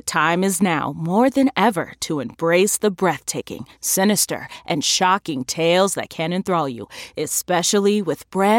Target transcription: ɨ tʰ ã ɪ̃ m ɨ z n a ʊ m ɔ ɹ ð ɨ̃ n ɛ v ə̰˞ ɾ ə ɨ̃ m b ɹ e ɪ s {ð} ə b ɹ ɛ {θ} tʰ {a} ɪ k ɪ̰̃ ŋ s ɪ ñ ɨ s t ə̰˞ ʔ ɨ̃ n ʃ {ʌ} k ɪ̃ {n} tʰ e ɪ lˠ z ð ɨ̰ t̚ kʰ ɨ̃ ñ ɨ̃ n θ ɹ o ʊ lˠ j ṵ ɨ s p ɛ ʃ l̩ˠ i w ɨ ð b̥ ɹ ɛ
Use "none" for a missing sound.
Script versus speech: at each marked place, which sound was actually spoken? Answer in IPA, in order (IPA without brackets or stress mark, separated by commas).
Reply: ð, θ, e, ɑ, ŋ